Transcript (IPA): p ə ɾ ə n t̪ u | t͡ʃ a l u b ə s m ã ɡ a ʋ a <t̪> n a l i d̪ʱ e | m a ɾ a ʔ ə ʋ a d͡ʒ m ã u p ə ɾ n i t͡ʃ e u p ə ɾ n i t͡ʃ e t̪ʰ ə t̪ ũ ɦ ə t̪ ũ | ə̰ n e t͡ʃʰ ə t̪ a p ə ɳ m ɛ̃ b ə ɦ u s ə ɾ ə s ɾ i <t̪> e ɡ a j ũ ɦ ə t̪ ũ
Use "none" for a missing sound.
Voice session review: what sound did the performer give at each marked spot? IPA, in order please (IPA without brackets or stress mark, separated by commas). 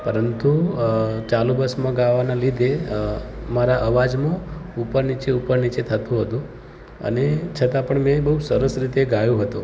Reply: none, t̪